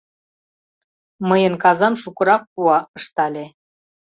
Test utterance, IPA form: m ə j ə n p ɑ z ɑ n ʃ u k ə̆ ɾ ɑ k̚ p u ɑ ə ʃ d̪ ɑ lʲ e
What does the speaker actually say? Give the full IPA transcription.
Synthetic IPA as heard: m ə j ə n k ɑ z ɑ n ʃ u k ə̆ ɾ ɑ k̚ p u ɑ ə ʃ t̪ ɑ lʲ e